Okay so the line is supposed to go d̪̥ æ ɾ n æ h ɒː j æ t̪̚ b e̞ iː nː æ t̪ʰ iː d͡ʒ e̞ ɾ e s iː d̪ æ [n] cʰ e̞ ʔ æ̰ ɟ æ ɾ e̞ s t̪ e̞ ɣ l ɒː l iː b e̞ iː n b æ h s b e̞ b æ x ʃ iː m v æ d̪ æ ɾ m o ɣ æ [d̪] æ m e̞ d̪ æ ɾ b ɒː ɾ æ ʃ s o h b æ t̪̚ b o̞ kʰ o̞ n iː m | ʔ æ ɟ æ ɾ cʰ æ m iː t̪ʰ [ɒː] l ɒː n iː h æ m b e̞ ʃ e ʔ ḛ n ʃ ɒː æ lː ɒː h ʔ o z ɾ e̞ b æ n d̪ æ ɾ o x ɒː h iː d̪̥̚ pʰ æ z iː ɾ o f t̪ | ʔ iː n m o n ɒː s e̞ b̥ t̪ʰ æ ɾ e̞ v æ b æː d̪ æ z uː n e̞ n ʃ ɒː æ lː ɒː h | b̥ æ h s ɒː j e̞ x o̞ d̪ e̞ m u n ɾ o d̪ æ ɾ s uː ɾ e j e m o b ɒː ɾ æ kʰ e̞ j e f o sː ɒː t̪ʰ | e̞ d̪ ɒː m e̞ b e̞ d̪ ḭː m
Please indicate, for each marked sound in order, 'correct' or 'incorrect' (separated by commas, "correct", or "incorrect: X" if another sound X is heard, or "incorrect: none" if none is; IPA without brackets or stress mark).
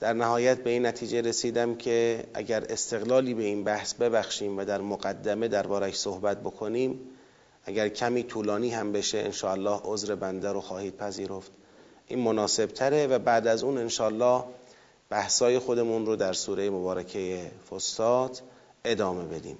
incorrect: m, incorrect: d̪ː, incorrect: uː